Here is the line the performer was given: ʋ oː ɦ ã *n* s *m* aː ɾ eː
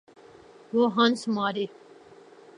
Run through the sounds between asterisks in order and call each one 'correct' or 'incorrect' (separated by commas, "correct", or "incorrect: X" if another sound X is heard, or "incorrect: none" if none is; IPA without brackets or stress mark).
correct, correct